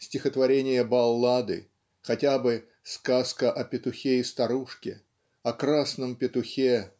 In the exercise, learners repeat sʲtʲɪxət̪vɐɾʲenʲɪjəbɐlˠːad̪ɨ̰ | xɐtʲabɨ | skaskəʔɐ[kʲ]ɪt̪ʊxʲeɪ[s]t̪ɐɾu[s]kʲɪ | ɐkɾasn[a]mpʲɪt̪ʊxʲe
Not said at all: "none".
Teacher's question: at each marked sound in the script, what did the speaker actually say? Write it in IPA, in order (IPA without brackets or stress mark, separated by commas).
pʲ, s, ʂ, ə